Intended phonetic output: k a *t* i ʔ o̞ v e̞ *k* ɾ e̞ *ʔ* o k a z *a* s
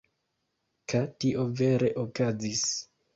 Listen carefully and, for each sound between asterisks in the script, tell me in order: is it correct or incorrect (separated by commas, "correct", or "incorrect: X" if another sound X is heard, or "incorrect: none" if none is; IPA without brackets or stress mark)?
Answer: correct, incorrect: none, correct, incorrect: i